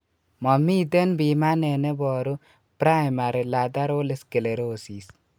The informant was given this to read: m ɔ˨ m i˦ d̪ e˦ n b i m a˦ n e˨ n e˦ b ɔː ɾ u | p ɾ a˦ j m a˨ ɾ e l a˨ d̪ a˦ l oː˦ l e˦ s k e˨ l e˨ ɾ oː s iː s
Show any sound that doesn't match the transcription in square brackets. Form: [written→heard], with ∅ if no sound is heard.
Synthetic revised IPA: m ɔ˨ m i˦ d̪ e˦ n b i m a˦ n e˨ n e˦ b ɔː ɾ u | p ɾ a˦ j m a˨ ɾ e l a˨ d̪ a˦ [l→ɾ] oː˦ l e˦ s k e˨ l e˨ ɾ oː s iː s